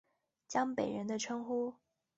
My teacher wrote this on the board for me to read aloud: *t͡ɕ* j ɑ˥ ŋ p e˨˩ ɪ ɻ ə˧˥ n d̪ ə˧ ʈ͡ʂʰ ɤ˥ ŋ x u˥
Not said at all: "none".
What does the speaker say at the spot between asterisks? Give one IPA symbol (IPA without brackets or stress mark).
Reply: t͡ɕ